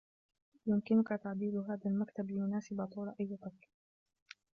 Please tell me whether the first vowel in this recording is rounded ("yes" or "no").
yes